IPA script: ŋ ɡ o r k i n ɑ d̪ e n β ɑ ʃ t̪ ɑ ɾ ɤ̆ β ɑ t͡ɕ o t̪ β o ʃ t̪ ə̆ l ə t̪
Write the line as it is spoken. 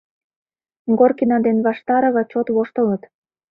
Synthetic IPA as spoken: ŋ ɡ o r k i n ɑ d̪ e n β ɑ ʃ t̪ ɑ ɾ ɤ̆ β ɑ t͡ɕ o t̪ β o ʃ t̪ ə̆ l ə t̪